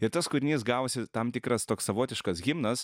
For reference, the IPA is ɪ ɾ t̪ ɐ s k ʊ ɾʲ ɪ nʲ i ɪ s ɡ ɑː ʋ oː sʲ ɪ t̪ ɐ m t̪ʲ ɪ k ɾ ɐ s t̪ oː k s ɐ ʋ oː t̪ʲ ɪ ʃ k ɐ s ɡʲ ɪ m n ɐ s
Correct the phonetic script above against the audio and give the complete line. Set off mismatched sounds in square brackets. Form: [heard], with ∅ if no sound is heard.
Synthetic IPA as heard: ɪ ɾ t̪ ɐ s k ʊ ɾʲ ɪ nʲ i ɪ s ɡ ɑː ʋ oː sʲ ɪ t̪ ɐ m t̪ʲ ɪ k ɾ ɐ s t̪ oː k s ɐ ʋ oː t̪ʲ ɪ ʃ k ɐ s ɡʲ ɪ m n ɐ s